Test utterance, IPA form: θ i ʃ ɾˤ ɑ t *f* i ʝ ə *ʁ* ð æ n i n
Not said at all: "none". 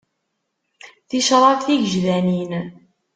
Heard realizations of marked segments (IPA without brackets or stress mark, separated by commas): θ, ʒ